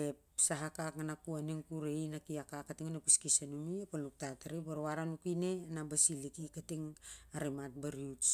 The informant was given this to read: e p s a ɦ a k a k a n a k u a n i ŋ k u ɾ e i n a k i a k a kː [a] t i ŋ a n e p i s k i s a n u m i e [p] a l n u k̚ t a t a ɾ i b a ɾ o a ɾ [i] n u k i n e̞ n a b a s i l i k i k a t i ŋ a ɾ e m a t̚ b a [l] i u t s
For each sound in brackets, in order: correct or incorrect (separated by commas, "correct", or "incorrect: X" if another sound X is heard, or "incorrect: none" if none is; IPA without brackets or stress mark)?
correct, correct, incorrect: a, incorrect: ɾ